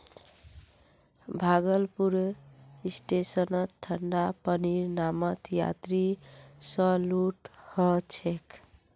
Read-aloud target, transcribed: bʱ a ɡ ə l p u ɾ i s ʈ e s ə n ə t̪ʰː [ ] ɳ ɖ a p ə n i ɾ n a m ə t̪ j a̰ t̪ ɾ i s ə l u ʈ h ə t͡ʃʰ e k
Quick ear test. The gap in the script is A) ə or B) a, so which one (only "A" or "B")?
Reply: A